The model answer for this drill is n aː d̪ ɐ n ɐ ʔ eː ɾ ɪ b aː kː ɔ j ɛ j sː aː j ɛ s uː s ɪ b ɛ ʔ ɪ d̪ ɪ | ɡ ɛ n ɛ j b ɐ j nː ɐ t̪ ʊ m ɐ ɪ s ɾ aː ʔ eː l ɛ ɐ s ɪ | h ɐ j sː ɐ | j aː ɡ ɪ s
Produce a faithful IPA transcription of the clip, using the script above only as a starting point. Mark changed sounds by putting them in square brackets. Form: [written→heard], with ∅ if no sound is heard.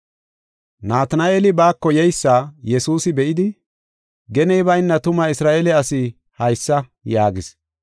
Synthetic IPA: n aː [d̪→t̪] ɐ n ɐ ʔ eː [ɾ→l] ɪ b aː kː ɔ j ɛ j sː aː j ɛ s uː s ɪ b ɛ ʔ ɪ d̪ ɪ | ɡ ɛ n ɛ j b ɐ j nː ɐ t̪ ʊ m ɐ ɪ s ɾ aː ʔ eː l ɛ ɐ s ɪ | h ɐ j sː ɐ | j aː ɡ ɪ s